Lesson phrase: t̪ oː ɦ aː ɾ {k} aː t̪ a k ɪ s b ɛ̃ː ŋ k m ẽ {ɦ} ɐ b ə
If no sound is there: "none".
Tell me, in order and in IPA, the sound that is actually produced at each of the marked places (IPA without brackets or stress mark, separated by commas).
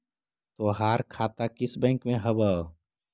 kʰ, ɦ